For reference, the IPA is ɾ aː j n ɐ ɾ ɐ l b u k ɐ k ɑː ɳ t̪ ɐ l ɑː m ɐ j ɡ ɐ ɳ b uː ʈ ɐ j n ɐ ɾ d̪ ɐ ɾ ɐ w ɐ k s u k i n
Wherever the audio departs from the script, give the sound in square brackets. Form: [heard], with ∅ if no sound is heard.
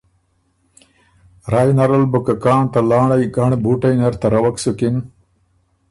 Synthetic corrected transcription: ɾ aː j n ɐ ɾ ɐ l b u k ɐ k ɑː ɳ t̪ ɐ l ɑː [ɳ] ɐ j ɡ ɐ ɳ b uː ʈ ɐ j n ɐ ɾ [t̪] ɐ ɾ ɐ w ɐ k s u k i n

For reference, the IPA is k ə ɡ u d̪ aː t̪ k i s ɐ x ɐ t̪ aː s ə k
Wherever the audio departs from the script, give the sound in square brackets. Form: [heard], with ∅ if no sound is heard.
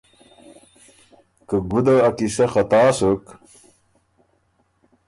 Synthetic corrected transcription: k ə ɡ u d̪ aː [∅] k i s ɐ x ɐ t̪ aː s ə k

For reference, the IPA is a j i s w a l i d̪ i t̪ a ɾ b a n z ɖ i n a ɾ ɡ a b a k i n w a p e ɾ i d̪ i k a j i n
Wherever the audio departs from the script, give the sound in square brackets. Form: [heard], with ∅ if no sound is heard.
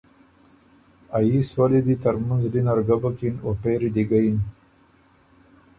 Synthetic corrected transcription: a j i s w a l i d̪ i t̪ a ɾ [m] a n z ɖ i n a ɾ ɡ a b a k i n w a p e ɾ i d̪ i [ɡ] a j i n

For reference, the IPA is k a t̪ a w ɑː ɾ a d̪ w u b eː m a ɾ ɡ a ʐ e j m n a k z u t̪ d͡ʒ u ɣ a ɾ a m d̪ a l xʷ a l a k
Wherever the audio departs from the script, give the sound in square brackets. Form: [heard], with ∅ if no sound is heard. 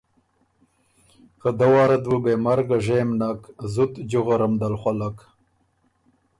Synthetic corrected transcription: k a [d̪] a w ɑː ɾ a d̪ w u b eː m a ɾ ɡ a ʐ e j m n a k z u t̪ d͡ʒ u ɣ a ɾ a m d̪ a l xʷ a l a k

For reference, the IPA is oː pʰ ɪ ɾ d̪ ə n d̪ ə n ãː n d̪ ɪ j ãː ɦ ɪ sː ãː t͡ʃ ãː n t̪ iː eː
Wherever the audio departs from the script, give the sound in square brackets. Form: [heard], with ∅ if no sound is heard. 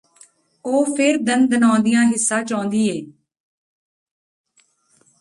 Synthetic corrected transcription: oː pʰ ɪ ɾ d̪ ə n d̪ ə n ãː n d̪ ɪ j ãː ɦ ɪ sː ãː t͡ʃ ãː n [d̪] iː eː

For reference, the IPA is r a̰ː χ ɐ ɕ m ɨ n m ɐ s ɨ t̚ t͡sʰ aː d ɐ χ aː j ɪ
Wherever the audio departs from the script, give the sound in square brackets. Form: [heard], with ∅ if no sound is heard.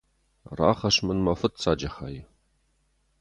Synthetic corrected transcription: r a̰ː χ ɐ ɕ m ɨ n m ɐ [f] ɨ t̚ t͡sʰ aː [d͡ʒ] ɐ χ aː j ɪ

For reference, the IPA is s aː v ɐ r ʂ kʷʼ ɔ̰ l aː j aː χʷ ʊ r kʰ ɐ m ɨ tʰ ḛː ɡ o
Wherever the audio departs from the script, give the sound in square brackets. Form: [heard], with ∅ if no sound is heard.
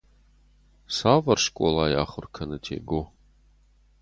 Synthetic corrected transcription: s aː v ɐ r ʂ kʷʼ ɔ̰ l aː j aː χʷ ʊ r kʰ ɐ [n] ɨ tʰ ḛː ɡ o

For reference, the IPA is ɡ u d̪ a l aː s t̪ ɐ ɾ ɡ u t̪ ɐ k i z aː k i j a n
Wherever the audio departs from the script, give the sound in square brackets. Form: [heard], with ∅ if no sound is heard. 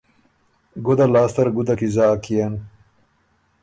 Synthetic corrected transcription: ɡ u d̪ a l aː s t̪ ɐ ɾ ɡ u [d̪] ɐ k i z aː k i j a n

